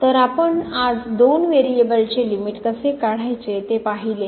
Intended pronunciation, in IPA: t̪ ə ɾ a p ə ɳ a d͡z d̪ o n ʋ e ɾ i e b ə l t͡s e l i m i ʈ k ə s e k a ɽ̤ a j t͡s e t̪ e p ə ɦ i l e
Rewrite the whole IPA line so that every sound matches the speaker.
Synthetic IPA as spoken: t̪ ə ɾ a p ə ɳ a d͡z d̪ o n ʋ e ɾ i e b ə l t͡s e l i m i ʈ k ə s e k a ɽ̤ a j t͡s e t̪ e p a ɦ i l e